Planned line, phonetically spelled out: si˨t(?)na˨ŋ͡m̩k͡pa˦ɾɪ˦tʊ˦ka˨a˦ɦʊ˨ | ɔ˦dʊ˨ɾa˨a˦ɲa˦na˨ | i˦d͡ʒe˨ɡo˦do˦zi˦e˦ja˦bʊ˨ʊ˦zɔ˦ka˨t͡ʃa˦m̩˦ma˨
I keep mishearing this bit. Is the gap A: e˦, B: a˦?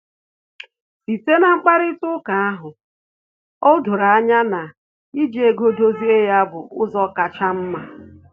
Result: A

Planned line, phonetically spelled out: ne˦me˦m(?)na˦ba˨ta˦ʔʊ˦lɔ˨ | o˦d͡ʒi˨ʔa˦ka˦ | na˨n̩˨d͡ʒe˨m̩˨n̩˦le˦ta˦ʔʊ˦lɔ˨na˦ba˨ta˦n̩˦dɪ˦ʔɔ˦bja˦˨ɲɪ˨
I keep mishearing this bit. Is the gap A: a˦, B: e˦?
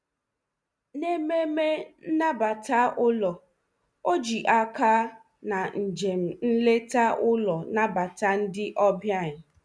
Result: B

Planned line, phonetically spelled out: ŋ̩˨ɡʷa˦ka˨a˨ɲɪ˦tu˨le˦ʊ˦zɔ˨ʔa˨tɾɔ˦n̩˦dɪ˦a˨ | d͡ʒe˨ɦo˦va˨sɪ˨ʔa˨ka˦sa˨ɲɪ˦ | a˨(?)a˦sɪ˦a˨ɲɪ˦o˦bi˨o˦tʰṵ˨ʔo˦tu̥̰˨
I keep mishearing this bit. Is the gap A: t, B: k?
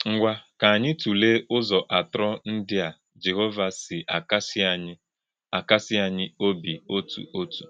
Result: B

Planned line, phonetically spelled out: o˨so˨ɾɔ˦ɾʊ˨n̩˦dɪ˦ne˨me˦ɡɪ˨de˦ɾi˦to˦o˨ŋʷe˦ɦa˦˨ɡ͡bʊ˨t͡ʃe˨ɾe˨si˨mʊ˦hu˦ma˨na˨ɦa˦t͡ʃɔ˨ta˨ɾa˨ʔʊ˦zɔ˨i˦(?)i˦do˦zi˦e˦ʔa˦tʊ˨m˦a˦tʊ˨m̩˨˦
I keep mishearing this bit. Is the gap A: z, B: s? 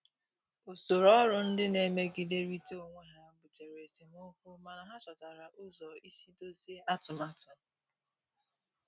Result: B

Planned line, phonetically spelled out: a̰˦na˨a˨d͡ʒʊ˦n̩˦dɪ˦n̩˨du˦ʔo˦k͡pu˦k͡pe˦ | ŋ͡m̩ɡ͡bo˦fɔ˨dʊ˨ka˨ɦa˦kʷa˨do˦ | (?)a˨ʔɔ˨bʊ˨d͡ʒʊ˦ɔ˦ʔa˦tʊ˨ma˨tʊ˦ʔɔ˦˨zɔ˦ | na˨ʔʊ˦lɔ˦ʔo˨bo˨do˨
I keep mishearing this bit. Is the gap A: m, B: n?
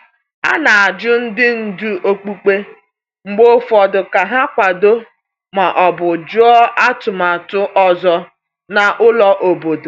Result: A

